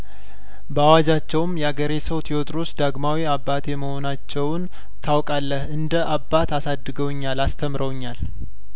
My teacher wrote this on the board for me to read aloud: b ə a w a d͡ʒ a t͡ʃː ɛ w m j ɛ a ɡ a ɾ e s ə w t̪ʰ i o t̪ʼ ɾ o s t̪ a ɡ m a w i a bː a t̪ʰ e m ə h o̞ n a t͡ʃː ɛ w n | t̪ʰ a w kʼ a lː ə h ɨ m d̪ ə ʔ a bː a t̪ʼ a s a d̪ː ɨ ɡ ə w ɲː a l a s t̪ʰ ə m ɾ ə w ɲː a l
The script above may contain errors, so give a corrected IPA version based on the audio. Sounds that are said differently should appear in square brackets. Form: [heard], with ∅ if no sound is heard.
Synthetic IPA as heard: b ə a w a d͡ʒ a t͡ʃː ɛ w m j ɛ a ɡ [ə] ɾ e s ə w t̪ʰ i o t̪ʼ ɾ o s [d̪] a ɡ m a w i a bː a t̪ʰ e m ə h o̞ n a t͡ʃː ɛ w n | t̪ʰ a w kʼ a lː ə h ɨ [n] d̪ ə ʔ a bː a [t̪] a s a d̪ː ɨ ɡ ə w ɲː a l a s t̪ʰ ə m ɾ ə w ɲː a l